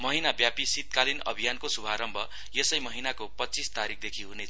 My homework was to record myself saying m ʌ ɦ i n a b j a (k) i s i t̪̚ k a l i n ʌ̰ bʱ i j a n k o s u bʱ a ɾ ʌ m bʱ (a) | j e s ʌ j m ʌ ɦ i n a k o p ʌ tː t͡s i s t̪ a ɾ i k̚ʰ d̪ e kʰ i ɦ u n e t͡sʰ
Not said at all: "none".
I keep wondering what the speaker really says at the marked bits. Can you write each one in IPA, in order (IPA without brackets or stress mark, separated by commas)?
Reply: p, ʌ